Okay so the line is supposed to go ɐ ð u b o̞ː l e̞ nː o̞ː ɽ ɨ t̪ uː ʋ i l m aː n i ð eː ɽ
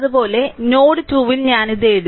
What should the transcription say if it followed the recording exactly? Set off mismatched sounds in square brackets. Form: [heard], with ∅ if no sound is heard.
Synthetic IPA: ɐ ð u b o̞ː l e̞ [n] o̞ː ɽ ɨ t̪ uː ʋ i l [ɲ] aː n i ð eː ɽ